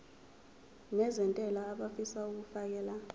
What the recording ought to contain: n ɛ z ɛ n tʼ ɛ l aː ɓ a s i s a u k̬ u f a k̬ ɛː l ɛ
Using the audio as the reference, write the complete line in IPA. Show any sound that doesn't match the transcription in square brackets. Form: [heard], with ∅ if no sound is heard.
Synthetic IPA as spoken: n ɛ z ɛ n tʼ ɛ l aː ɓ a [f] i s a u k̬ u f a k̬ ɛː l [a]